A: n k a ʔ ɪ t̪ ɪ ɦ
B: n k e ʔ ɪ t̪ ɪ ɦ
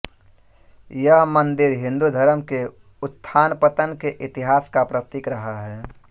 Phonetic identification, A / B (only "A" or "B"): B